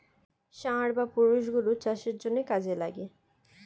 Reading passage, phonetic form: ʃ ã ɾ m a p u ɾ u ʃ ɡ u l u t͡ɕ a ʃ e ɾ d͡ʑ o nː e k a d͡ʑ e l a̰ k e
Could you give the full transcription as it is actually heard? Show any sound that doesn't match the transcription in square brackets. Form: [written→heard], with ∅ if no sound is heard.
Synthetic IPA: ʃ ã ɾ [m→b] a p u ɾ u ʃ ɡ u l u t͡ɕ a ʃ e ɾ d͡ʑ o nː e k a d͡ʑ e l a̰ [k→ɡ] e